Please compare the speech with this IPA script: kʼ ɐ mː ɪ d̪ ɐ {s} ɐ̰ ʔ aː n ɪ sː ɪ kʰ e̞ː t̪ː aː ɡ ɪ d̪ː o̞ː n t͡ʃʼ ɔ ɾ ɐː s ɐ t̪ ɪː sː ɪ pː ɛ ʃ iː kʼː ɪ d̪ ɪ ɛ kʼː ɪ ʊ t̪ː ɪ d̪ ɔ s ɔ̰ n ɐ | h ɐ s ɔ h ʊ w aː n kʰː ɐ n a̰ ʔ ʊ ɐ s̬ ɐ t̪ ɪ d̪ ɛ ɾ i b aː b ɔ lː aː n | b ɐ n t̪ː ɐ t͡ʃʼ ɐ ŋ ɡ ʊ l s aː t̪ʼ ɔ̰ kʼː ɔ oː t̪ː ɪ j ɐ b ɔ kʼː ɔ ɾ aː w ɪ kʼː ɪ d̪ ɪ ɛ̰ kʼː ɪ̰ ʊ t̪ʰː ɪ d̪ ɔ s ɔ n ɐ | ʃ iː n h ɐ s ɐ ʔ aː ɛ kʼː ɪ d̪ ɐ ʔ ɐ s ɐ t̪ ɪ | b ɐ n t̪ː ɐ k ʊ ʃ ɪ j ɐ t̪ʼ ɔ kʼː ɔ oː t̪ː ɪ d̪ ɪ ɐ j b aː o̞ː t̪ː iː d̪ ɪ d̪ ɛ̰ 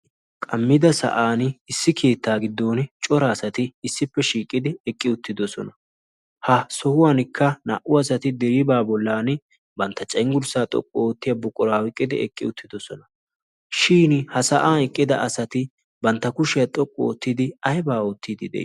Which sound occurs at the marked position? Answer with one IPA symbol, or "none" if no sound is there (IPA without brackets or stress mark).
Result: s